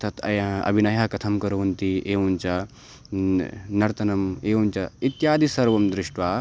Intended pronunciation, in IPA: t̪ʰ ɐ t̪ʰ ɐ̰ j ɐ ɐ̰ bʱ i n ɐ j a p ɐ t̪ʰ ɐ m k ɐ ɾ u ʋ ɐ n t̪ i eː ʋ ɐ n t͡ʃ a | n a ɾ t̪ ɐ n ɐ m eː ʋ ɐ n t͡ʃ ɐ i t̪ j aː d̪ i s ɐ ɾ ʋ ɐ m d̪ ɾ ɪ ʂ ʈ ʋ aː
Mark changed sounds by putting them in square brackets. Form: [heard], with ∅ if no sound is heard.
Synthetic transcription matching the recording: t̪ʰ ɐ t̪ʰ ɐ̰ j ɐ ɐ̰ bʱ i n ɐ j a [k] ɐ t̪ʰ ɐ m k ɐ ɾ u ʋ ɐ n t̪ i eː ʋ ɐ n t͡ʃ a | n [ɐ] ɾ t̪ ɐ n ɐ m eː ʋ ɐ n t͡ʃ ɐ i t̪ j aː d̪ i s ɐ ɾ ʋ ɐ m d̪ ɾ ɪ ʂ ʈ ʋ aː